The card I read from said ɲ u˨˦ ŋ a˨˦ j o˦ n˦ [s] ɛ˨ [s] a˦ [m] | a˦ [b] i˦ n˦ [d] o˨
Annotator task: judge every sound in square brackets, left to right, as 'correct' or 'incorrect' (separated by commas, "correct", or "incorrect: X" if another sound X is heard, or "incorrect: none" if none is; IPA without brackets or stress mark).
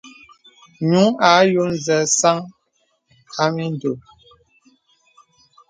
incorrect: z, correct, incorrect: ŋ, incorrect: m, correct